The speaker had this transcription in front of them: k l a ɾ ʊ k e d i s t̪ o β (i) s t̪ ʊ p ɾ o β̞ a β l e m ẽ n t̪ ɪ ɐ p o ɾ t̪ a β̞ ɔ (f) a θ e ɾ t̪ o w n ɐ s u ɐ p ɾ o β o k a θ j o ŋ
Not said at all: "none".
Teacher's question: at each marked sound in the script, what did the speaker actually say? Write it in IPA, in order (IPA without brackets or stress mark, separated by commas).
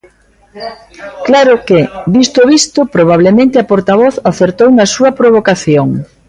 i, θ